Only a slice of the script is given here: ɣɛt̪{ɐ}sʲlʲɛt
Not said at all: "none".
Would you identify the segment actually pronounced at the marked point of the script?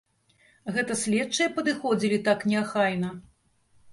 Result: ɐ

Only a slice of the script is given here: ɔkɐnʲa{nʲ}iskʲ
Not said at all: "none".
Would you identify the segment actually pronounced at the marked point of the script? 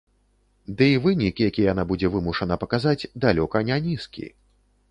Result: nʲ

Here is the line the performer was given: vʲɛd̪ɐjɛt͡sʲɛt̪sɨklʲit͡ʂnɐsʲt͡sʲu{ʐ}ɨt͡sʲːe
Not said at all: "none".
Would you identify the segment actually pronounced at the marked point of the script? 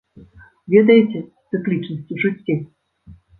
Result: ʐ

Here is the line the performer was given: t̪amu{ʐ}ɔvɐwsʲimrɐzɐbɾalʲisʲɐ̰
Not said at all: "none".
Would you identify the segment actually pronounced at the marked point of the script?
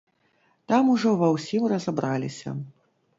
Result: ʐ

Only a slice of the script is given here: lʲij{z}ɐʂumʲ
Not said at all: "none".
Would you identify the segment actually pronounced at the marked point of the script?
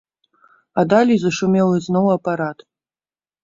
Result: z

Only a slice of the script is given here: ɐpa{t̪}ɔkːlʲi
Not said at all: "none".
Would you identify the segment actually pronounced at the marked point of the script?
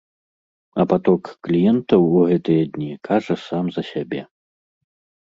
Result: t̪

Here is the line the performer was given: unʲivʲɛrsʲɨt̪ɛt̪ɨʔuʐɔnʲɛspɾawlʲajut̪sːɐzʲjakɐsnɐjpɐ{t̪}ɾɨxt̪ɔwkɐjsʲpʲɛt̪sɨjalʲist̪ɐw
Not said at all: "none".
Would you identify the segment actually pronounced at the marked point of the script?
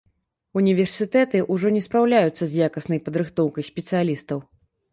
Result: d̪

